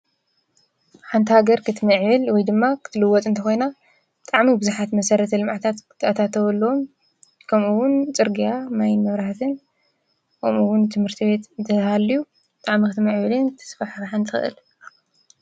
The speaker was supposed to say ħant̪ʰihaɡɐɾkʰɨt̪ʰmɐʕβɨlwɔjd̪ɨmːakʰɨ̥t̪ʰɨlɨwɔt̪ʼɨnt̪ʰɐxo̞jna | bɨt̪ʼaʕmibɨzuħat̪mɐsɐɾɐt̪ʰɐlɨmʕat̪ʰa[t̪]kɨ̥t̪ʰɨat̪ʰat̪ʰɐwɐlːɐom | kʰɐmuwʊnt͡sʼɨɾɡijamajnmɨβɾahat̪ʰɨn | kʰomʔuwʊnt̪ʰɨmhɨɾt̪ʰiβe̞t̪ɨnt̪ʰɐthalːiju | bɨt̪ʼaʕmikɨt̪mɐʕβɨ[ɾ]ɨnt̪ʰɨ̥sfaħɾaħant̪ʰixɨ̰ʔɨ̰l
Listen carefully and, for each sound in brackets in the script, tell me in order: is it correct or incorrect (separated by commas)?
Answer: correct, incorrect